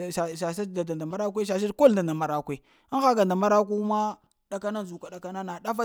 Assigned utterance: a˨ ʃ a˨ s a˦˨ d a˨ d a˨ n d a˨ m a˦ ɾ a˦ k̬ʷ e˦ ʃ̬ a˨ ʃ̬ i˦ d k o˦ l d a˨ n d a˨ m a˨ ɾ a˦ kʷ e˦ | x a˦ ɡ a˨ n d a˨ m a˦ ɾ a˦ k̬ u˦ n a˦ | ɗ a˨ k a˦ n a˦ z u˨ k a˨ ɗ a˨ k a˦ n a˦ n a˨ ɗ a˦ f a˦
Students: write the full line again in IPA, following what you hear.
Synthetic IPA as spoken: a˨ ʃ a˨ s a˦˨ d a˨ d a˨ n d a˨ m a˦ ɾ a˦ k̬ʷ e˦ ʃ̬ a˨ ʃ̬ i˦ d k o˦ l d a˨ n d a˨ m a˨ ɾ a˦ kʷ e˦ | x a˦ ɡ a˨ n d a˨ m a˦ ɾ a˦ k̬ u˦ m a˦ | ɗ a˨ k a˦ n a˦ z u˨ k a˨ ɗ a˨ k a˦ n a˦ n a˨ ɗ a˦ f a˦